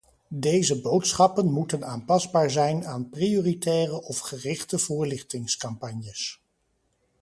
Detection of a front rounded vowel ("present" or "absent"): absent